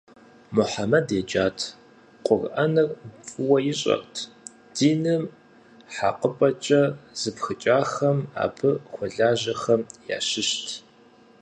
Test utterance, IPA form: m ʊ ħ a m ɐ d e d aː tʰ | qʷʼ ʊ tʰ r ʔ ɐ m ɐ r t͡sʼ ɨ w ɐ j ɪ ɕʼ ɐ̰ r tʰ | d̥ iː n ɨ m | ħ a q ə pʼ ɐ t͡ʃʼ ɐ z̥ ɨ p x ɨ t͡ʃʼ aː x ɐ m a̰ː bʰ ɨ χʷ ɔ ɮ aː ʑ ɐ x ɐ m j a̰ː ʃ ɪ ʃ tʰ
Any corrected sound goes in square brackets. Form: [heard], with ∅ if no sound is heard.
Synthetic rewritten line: m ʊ ħ a m ɐ d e [d͡ʒ] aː tʰ | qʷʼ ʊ [∅] r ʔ ɐ [n] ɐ r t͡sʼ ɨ w ɐ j ɪ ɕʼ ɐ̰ r tʰ | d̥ iː n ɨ m | ħ a q ə pʼ ɐ t͡ʃʼ ɐ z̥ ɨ p x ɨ t͡ʃʼ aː x ɐ m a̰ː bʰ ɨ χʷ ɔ ɮ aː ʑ ɐ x ɐ m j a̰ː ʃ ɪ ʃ tʰ